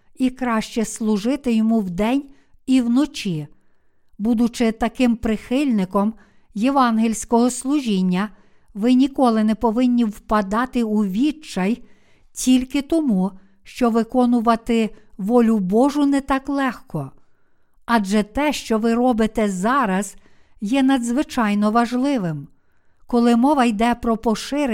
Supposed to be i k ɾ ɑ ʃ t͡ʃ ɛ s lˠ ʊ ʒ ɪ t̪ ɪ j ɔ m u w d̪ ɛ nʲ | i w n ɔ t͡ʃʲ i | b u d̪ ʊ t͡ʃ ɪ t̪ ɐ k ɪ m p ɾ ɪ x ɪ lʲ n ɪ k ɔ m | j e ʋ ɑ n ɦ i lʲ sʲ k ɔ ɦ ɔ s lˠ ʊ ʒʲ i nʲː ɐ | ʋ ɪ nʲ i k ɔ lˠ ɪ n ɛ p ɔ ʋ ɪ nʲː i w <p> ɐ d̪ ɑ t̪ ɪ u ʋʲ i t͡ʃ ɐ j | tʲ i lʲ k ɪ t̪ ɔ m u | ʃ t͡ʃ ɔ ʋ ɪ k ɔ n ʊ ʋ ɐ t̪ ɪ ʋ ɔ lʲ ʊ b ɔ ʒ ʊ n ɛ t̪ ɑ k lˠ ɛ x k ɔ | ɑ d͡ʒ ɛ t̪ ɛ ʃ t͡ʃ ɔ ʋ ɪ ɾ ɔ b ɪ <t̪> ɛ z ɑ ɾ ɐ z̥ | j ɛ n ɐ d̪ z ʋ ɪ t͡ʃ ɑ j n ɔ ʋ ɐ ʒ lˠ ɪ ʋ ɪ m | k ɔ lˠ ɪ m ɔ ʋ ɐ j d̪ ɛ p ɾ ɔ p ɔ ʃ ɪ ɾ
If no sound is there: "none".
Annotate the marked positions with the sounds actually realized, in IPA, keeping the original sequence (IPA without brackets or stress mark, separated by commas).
p, t̪